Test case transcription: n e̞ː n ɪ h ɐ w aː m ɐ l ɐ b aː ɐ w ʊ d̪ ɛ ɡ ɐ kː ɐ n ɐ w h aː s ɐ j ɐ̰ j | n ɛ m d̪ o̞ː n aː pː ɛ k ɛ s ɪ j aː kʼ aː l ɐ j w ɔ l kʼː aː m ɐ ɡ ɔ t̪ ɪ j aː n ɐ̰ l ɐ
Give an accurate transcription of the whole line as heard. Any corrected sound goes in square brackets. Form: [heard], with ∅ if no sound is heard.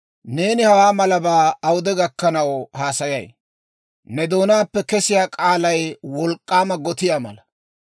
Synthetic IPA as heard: n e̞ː n ɪ h ɐ w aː m ɐ l ɐ b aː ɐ w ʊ d̪ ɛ ɡ ɐ kː ɐ n ɐ w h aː s ɐ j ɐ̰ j | n ɛ [∅] d̪ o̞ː n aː pː ɛ k ɛ s ɪ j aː kʼ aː l ɐ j w ɔ l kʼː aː m ɐ ɡ ɔ t̪ ɪ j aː [m] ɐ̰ l ɐ